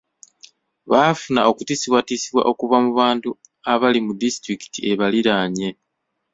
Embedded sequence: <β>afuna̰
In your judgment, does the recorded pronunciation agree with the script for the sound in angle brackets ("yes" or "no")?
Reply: yes